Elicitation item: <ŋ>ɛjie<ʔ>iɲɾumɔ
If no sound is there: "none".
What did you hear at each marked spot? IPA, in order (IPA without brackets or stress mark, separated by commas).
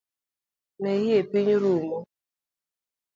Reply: n, p